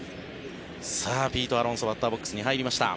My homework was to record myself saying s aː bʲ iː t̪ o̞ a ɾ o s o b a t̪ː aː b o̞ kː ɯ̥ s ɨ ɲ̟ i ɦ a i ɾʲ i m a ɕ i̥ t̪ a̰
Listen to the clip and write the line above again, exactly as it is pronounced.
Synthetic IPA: s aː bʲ iː t̪ o̞ a ɾ õ s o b a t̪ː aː b o̞ kː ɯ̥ s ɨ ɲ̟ i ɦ a i ɾʲ i m a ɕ i̥ t̪ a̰

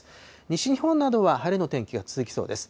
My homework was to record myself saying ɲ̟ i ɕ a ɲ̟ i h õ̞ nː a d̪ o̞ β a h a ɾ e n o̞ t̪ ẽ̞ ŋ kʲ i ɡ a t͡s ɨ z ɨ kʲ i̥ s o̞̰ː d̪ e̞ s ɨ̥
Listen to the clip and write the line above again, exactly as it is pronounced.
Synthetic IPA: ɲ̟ i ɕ i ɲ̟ i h õ̞ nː a d̪ o̞ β a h a ɾ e n o̞ t̪ ẽ̞ ŋ kʲ i ɡ a t͡s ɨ z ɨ kʲ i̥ s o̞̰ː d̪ e̞ s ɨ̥

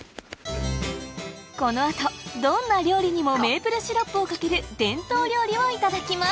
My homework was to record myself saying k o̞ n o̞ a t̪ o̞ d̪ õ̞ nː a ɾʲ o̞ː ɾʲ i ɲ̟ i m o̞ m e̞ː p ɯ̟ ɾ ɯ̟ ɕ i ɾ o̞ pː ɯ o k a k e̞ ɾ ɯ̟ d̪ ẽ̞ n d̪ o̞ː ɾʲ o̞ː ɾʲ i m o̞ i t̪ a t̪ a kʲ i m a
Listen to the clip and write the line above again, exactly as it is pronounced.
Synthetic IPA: k o̞ n o̞ a t̪ o̞ d̪ õ̞ nː a ɾʲ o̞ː ɾʲ i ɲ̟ i m o̞ m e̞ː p ɯ̟ ɾ ɯ̟ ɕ i ɾ o̞ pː ɯ o k a k e̞ ɾ ɯ̟ d̪ ẽ̞ n t̪ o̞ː ɾʲ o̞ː ɾʲ i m o̞ i t̪ a d̪ a kʲ i m a

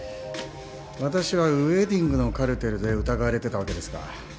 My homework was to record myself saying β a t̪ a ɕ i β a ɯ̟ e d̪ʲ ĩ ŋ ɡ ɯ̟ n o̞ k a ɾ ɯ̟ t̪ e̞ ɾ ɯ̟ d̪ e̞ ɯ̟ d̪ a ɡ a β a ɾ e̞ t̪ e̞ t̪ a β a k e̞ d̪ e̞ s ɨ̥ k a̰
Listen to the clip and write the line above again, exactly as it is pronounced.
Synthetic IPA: β a t̪ a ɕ i β a ɯ̟ e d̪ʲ ĩ ŋ ɡ ɯ̟ n o̞ k a ɾ ɯ̟ t̪ e̞ ɾ ɯ̟ d̪ e̞ ɯ̟ t̪ a ɡ a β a ɾ e̞ t̪ e̞ t̪ a β a k e̞ d̪ e̞ s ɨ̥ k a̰

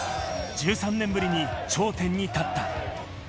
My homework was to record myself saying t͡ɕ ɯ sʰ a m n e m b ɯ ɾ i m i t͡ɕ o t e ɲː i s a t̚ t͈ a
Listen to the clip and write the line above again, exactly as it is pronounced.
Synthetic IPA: t͡ɕ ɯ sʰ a m n e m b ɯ ɾ i ɲ i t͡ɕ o t e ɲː i t a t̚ t͈ a

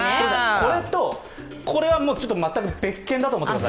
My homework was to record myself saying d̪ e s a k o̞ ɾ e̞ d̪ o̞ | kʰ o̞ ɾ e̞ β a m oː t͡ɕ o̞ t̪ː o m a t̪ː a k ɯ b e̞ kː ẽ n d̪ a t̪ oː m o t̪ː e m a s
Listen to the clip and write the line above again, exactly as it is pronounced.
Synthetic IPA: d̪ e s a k o̞ ɾ e̞ t̪ o̞ | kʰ o̞ ɾ e̞ β a m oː t͡ɕ o̞ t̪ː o m a t̪ː a k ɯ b e̞ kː ẽ n d̪ a t̪ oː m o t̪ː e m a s

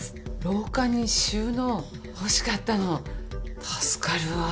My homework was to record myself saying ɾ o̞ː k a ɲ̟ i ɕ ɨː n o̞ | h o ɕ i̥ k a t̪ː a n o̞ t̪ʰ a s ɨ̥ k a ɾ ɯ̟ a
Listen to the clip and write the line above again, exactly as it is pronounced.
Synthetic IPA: ɾ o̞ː k a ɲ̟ i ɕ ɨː n o̞ | h o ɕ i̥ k a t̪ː a n o̞ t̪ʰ a s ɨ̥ k a ɾ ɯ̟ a

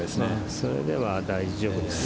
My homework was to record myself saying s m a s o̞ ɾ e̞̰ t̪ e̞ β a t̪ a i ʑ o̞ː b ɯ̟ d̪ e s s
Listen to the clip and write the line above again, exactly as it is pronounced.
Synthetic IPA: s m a s o̞ ɾ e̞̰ d̪ e̞ β a d̪ a i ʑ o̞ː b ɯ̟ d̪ e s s

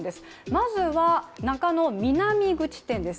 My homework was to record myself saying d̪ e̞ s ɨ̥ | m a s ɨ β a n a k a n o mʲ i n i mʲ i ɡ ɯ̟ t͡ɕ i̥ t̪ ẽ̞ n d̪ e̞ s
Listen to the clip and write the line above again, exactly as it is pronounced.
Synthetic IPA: d̪ e̞ s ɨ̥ | m a z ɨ β a n a k a n o mʲ i n a mʲ i ɡ ɯ̟ t͡ɕ i̥ t̪ ẽ̞ n d̪ e̞ s

